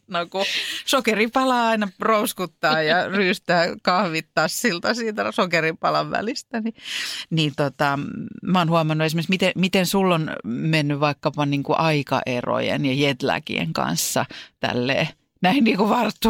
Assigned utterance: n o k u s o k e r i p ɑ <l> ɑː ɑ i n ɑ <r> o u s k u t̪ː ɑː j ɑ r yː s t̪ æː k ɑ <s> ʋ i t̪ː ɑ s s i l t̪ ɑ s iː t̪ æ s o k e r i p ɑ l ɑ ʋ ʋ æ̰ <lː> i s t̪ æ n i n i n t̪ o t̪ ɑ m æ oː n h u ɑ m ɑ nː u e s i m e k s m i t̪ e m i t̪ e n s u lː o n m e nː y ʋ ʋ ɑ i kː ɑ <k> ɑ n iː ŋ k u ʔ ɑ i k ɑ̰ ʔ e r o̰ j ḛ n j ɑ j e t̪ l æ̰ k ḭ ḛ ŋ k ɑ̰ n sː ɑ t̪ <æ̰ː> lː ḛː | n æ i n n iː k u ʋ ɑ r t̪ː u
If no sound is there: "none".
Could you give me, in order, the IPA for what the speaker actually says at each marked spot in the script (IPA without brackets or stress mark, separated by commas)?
l, r, h, l, p, æ̰